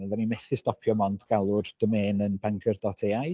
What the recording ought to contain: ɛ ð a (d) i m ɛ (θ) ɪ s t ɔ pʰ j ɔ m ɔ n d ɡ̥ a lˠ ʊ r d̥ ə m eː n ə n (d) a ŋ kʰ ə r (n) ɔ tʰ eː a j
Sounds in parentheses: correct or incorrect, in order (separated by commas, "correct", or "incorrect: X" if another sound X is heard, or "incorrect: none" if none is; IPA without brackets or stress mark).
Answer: incorrect: n, correct, incorrect: b, incorrect: d